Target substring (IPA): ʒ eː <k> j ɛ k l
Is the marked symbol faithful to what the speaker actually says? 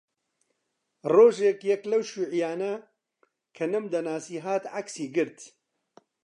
yes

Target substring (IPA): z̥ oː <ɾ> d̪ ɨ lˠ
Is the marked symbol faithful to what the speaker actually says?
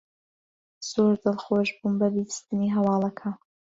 yes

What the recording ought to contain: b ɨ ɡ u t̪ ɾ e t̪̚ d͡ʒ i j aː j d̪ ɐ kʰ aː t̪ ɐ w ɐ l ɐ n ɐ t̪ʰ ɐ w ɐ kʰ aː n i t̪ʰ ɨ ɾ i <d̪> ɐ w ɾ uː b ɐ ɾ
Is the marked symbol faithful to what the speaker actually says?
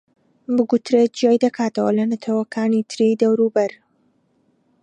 yes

